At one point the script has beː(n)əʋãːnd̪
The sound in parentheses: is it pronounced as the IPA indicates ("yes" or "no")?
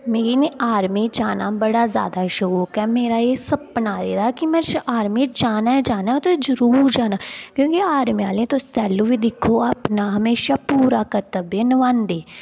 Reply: yes